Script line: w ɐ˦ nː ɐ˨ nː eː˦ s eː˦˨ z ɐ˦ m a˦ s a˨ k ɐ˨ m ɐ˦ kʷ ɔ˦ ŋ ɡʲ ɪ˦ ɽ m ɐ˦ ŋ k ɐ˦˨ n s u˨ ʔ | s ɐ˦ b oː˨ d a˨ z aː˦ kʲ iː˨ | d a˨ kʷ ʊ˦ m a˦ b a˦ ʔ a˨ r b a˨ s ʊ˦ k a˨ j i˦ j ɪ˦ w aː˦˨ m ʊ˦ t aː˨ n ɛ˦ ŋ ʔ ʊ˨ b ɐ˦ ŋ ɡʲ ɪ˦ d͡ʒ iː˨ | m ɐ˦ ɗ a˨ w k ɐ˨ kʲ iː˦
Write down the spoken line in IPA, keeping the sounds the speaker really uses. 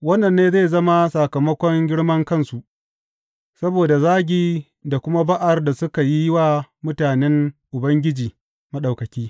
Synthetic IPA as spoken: w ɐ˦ nː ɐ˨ nː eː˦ z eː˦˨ z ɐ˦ m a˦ s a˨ k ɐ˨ m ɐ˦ kʷ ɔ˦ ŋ ɡʲ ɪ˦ ɽ m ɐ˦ ŋ k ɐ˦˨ n s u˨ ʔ | s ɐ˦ b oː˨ d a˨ z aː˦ ɡʲ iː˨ | d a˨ kʷ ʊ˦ m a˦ b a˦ ʔ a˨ r d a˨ s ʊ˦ k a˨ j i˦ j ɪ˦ w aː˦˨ m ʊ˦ t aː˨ n ɛ˦ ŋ ʔ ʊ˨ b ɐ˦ ŋ ɡʲ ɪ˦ d͡ʒ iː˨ | m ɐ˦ ɗ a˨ w k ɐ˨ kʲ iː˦